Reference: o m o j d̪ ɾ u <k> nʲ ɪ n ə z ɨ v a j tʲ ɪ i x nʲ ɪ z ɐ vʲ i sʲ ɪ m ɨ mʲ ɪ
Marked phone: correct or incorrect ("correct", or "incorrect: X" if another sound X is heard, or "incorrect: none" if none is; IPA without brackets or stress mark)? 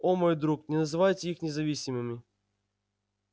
correct